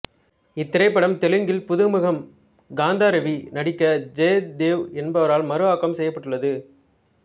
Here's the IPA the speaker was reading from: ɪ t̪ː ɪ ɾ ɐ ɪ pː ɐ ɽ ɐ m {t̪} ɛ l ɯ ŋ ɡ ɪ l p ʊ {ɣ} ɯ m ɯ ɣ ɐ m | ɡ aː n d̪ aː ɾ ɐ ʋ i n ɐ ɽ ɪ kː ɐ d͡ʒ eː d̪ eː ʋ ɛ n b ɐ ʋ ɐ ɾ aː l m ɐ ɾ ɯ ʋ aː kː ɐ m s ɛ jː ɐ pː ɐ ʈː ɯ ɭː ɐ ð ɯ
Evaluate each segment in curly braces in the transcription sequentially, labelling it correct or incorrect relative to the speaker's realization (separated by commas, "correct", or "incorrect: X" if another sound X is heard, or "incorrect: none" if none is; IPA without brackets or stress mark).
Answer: correct, incorrect: ð